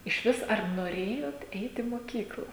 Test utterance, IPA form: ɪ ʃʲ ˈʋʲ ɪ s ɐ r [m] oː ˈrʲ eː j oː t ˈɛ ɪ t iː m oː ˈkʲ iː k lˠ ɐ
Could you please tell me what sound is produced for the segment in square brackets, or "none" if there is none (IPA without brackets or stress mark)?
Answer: n